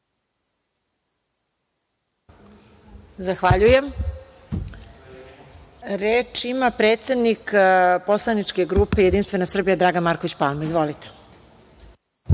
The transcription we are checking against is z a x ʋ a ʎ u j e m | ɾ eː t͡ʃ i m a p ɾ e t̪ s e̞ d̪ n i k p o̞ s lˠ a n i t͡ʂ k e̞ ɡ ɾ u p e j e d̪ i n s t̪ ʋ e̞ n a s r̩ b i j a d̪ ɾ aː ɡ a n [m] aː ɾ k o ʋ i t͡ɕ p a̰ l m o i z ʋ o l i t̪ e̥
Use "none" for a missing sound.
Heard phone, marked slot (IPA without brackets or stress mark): m